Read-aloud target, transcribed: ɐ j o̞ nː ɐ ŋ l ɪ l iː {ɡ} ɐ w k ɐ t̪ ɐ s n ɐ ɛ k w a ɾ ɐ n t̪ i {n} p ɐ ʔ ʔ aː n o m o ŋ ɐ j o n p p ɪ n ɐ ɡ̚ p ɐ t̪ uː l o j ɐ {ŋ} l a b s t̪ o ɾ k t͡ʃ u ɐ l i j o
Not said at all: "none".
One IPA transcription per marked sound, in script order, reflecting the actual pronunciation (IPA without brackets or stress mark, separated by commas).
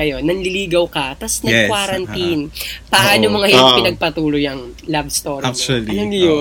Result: ɡ, n, ŋ